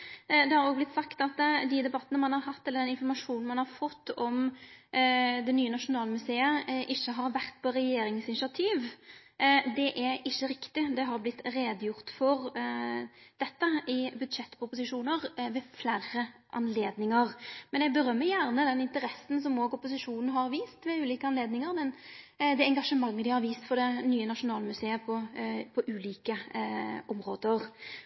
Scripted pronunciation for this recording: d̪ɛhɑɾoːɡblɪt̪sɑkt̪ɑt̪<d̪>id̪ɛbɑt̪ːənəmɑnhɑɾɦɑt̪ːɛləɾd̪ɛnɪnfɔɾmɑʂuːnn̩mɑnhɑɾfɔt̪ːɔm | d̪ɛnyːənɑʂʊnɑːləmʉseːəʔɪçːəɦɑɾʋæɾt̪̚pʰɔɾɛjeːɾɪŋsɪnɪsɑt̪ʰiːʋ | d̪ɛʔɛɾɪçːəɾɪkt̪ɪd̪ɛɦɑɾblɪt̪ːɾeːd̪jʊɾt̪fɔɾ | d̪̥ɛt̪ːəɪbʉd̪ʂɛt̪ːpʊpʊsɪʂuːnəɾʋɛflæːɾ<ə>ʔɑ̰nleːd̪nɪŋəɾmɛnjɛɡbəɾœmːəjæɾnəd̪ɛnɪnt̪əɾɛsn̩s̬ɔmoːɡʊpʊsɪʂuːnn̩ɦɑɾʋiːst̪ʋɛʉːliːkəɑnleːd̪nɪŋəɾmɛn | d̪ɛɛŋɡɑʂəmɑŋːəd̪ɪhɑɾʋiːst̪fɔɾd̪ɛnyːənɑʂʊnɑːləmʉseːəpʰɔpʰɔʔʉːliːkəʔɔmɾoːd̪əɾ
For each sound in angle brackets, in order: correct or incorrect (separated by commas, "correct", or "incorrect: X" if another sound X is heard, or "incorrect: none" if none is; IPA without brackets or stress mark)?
correct, correct